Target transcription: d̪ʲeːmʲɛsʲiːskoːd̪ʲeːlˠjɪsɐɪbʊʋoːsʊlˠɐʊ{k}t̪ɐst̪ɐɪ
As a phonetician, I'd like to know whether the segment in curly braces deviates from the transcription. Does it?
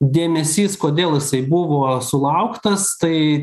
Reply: no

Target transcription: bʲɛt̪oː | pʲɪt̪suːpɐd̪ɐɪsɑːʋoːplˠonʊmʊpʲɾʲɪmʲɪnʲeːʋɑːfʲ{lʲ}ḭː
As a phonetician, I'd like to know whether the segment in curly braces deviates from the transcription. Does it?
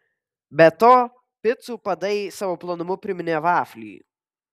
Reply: no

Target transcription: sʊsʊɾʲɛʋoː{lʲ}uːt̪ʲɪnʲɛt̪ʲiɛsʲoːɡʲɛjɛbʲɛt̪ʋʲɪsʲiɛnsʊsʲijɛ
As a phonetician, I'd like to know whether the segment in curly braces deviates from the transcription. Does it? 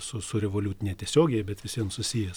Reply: no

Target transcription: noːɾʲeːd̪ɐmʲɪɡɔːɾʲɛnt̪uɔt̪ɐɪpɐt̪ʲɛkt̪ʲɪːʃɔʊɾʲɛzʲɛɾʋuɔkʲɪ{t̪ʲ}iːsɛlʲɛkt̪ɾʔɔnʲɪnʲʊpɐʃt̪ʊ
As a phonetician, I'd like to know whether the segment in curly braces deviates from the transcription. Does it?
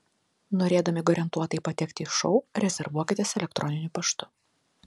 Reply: no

